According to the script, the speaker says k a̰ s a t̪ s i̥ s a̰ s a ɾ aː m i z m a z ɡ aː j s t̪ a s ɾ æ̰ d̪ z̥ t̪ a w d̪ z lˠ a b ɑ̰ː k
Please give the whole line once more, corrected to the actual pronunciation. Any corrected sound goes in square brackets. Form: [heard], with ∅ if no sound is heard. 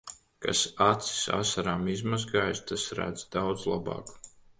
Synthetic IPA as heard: k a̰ s a t̪ s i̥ s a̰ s a ɾ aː m i z m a z ɡ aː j s t̪ a s ɾ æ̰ d̪ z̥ [d̪] a w d̪ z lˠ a b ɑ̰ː k

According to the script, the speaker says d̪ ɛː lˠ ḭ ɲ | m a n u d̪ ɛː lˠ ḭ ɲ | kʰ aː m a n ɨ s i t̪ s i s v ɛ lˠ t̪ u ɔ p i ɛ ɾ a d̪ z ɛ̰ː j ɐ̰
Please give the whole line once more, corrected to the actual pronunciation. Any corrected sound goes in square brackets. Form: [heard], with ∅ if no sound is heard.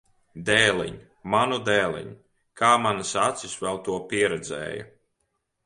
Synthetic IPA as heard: d̪ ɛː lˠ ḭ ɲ | m a n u d̪ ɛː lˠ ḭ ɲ | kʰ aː m a n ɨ s [a] t̪ s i s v ɛ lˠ t̪ u ɔ p i ɛ ɾ [ɛ] d̪ z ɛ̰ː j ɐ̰

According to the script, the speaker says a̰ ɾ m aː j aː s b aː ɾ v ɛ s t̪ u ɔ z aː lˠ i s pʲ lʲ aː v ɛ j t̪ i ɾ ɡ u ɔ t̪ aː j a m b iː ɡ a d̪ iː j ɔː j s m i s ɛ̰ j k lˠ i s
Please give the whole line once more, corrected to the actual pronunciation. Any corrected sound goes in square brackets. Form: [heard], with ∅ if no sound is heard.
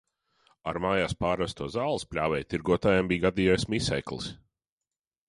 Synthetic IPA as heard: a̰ ɾ m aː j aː s [p] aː ɾ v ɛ s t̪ u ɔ z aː lˠ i s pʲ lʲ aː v ɛ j t̪ i ɾ ɡ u ɔ t̪ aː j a m b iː ɡ a d̪ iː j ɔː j s m i s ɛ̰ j k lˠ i s

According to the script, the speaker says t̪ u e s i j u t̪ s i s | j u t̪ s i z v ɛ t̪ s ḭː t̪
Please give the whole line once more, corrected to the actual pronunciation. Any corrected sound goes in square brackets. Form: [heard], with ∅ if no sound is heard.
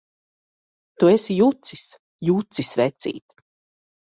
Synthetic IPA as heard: t̪ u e s i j u t̪ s i s | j u t̪ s i [s] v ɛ t̪ s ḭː t̪

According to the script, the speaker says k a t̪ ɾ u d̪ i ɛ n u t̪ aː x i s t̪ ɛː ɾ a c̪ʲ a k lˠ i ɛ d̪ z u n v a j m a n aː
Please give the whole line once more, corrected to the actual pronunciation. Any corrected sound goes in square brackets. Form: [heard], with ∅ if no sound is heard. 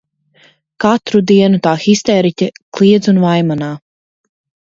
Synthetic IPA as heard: k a t̪ ɾ u d̪ i ɛ n u t̪ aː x i s t̪ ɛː ɾ [i] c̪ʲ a k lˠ i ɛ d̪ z u n v a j m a n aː

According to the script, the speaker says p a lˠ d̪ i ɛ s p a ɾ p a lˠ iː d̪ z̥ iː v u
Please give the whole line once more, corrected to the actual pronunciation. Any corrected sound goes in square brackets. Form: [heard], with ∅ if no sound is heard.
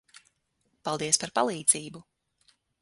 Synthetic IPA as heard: p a lˠ d̪ i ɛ s p a ɾ p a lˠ iː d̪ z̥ iː [b] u

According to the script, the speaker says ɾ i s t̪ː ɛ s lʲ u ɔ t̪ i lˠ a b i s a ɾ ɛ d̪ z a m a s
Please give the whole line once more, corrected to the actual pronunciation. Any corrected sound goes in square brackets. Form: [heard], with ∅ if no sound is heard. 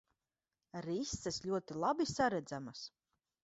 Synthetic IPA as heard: ɾ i s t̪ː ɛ s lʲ u ɔ t̪ i lˠ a b i s a ɾ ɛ d̪ z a m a s

